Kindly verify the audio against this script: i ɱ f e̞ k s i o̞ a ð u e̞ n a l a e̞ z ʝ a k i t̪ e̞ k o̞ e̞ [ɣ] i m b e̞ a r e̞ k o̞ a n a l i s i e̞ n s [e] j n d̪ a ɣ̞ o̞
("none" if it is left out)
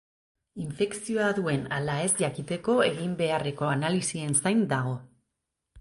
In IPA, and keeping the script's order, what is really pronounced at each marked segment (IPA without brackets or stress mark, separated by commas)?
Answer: ɣ, a